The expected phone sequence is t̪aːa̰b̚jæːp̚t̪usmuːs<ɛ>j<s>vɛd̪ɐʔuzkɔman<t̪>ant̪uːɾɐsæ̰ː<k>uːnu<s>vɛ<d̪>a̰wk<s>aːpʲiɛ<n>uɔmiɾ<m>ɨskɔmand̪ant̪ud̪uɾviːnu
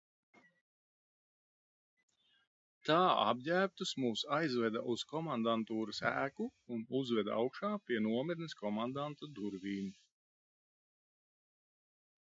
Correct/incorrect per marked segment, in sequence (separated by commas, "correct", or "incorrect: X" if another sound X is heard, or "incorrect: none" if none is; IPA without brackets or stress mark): incorrect: a, incorrect: z, incorrect: d̪, correct, incorrect: z, correct, incorrect: ʃ, correct, incorrect: n